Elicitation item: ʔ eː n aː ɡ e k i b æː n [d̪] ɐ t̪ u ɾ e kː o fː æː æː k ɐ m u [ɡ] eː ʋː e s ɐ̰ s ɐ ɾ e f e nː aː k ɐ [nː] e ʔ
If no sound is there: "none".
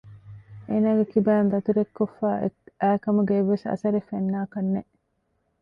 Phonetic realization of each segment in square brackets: d̪, ɡ, nː

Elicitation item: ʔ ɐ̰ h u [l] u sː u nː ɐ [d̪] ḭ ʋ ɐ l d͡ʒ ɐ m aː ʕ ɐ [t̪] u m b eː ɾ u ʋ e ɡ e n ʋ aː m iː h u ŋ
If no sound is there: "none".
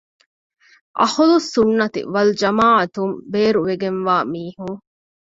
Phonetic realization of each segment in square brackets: l, t̪, t̪

